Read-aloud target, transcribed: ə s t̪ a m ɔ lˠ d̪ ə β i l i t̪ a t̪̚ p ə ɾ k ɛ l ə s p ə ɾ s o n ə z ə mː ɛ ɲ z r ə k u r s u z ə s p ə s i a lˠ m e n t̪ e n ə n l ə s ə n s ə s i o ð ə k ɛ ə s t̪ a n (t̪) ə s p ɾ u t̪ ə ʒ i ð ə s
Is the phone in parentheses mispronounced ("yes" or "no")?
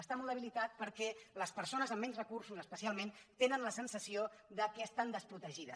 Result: yes